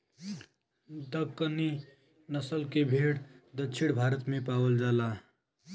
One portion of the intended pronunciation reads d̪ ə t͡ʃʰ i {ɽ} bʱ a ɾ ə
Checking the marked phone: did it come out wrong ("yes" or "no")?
no